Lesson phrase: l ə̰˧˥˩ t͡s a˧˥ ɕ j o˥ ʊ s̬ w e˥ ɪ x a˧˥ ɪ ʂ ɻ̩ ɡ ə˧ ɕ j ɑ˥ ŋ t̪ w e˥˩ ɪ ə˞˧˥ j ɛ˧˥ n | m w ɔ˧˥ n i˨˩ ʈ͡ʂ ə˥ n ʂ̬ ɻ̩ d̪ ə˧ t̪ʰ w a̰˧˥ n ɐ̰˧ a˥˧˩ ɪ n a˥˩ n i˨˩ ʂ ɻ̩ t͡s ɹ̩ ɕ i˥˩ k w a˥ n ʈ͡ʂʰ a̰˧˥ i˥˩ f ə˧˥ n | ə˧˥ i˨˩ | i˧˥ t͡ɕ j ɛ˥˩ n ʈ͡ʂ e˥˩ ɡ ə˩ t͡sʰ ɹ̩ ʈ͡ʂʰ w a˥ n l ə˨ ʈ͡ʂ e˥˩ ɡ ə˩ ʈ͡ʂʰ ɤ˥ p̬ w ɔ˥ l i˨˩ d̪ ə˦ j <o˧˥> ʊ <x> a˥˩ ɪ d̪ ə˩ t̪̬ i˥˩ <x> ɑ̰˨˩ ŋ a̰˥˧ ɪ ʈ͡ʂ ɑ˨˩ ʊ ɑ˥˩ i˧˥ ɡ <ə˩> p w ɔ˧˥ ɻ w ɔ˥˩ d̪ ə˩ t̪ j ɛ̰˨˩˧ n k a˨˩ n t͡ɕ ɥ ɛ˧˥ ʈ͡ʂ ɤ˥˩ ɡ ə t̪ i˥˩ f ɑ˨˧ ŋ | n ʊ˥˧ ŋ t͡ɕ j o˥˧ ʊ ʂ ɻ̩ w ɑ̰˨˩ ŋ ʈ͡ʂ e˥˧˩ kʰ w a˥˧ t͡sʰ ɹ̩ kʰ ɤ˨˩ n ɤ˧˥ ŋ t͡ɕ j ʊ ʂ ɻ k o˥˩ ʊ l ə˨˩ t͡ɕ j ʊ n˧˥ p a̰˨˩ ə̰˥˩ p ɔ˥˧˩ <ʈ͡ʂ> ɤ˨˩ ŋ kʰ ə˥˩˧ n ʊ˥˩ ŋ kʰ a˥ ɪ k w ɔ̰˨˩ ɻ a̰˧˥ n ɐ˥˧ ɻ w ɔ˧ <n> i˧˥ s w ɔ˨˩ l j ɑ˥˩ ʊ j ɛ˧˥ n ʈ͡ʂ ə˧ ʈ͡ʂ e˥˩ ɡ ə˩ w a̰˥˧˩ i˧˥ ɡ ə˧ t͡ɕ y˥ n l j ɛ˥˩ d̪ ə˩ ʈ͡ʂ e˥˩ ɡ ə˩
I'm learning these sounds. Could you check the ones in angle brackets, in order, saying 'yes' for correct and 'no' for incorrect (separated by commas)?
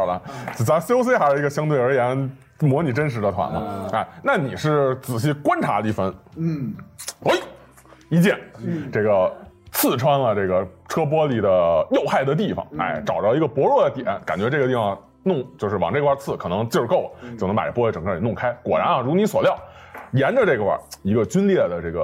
no, yes, no, no, yes, yes